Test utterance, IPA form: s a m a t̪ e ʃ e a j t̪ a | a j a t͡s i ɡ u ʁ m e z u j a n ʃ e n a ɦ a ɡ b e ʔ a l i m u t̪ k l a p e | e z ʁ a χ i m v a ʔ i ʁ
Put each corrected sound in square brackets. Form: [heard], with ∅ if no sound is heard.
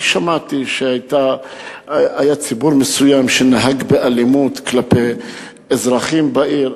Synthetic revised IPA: [ʃ] a m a t̪ [i] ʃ e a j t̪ a | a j a t͡s i [b] u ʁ m e [s] u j a [m] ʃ e n a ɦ a ɡ b e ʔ a l i m u t̪ k l a p e | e z ʁ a χ i m [b] a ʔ i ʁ